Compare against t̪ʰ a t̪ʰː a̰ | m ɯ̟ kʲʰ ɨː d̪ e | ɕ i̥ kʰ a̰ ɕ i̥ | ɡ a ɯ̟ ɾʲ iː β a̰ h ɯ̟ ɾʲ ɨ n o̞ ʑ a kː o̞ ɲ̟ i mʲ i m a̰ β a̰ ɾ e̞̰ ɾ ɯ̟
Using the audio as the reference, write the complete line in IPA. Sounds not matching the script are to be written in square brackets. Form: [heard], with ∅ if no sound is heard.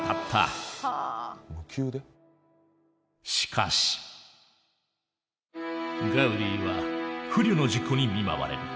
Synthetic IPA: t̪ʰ a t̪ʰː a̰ | m ɯ̟ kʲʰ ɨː d̪ e | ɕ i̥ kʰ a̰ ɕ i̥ | ɡ a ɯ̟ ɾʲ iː β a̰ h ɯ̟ ɾʲ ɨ n o̞ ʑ [i] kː o̞ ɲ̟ i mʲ i m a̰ β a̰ ɾ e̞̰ ɾ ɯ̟